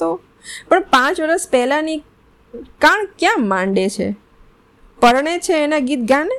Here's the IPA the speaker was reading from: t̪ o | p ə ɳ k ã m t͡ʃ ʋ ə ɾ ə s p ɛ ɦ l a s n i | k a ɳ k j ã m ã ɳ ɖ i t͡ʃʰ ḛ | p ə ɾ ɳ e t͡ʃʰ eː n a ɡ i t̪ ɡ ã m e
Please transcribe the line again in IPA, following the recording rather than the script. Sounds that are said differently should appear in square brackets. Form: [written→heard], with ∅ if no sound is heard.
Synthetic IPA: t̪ o | p ə ɳ [k→p] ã [m→∅] t͡ʃ ʋ ə ɾ ə s p ɛ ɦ l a [s→∅] n i | k a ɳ k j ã m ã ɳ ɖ [i→e] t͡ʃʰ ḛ | p ə ɾ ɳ e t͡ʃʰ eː n a ɡ i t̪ ɡ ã [m→n] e